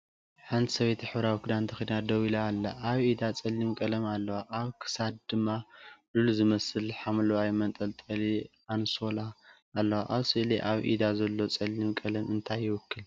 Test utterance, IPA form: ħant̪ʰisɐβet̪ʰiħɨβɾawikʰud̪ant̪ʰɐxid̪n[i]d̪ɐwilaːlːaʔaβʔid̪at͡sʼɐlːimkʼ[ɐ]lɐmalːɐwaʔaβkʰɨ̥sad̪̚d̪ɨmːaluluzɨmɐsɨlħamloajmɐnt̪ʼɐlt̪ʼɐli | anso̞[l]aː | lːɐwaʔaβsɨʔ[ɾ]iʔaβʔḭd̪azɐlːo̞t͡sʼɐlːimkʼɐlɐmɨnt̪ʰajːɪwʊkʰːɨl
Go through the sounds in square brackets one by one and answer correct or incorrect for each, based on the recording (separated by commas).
incorrect, correct, correct, incorrect